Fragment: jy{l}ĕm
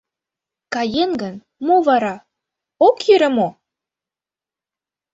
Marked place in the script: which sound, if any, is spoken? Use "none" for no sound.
ɾ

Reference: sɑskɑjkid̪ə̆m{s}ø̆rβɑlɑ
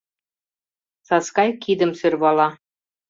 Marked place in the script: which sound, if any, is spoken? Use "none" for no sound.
s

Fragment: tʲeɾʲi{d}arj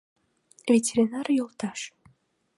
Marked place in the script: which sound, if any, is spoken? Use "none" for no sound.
n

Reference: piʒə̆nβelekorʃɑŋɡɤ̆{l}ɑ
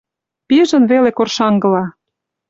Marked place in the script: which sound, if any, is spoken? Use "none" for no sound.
l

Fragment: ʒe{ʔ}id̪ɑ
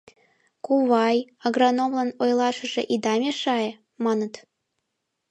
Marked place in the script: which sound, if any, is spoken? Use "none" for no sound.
ʔ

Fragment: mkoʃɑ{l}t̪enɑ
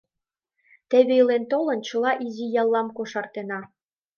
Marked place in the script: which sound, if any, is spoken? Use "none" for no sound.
r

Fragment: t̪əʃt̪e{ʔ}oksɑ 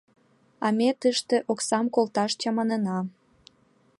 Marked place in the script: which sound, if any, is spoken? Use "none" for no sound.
ʔ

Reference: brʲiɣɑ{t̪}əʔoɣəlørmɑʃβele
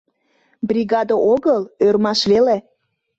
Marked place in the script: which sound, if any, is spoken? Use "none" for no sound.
d̪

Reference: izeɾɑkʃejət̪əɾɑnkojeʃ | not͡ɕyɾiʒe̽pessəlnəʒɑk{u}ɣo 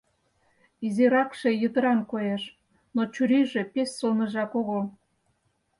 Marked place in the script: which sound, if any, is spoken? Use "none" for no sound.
o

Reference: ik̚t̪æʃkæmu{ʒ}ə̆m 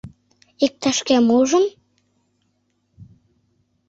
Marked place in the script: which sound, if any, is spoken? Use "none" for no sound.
ʒ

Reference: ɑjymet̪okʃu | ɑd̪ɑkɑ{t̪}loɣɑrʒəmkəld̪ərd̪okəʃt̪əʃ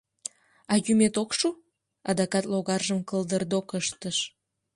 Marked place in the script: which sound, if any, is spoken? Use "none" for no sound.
t̪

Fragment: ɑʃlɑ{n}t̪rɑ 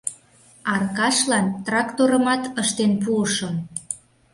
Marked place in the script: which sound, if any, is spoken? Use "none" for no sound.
n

